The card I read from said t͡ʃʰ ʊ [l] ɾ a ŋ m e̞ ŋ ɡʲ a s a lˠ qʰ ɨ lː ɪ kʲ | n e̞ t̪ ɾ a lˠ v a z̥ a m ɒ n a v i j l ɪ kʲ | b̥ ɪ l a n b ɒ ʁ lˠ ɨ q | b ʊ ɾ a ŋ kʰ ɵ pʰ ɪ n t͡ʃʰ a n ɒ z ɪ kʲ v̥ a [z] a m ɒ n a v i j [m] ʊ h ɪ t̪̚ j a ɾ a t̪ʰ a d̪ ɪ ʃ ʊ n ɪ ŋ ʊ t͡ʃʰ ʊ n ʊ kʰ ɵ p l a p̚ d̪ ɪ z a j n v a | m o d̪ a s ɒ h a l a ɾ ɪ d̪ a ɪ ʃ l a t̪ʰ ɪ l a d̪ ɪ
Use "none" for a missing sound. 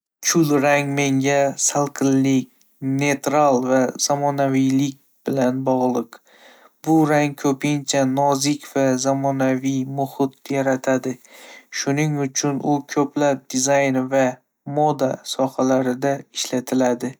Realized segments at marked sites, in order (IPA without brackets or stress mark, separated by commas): l, z, m